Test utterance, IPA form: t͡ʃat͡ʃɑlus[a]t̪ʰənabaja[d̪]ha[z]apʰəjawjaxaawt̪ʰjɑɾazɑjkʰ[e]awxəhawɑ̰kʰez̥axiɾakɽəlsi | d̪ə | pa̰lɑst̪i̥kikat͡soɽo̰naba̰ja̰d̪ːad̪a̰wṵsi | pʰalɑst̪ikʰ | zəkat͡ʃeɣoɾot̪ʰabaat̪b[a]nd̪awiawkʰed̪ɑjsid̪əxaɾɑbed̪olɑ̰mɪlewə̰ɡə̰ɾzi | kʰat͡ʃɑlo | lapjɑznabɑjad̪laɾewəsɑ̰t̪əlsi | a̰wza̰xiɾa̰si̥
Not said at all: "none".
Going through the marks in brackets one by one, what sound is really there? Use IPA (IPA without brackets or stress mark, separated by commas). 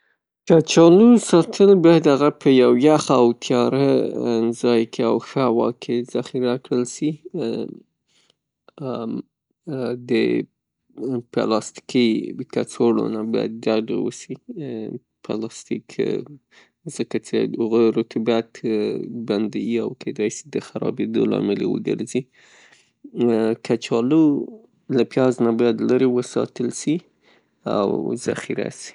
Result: ɑ, d̪, ɣ, e, a